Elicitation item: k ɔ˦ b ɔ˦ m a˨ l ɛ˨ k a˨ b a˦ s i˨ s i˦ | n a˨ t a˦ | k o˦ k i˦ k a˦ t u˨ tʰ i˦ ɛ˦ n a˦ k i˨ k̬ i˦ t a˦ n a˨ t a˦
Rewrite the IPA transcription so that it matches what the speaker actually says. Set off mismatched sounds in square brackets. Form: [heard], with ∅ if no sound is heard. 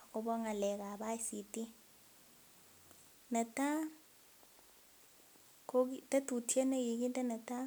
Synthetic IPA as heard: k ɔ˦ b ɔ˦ [ŋ] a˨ l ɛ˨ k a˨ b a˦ s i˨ [t] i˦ | n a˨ t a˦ | k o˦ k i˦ [t] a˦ t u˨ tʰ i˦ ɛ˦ n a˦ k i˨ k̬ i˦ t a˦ n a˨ t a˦